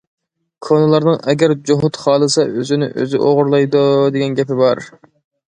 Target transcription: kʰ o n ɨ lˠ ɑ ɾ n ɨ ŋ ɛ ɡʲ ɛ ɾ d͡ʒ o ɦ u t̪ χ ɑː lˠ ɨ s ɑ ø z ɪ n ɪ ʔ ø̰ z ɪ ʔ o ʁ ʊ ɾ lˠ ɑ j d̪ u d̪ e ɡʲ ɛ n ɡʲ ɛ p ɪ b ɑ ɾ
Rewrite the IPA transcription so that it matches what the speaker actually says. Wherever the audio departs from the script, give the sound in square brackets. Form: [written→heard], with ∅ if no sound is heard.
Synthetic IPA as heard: kʰ o n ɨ lˠ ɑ ɾ n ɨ ŋ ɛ ɡʲ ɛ ɾ d͡ʒ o ɦ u t̪ χ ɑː lˠ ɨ s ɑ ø z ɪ n ɪ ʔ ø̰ z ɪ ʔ o ʁ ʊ ɾ lˠ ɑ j d̪ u d̪ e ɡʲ ɛ n ɡʲ ɛ p ɪ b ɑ ɾ